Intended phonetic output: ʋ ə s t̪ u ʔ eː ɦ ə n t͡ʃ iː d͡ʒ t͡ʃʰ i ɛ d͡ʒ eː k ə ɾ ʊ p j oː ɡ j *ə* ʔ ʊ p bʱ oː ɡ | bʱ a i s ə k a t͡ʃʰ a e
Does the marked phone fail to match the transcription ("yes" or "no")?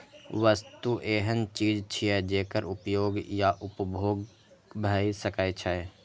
yes